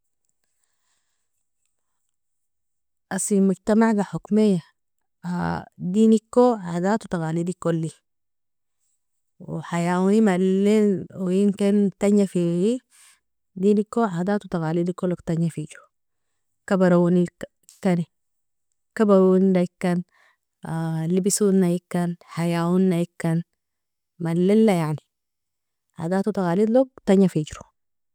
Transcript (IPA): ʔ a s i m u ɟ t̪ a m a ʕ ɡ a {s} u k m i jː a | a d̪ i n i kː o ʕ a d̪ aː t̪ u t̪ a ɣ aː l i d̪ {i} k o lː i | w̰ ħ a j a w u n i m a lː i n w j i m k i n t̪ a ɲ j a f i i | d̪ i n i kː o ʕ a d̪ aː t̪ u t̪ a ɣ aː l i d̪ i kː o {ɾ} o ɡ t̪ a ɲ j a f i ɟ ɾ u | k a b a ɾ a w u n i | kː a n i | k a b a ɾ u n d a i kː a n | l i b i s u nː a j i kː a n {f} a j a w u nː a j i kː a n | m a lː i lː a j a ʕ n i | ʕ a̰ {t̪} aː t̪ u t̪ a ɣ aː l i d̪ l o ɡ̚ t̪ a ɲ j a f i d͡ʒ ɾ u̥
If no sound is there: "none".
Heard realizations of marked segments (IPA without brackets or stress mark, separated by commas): ħ, i, l, ħ, d̪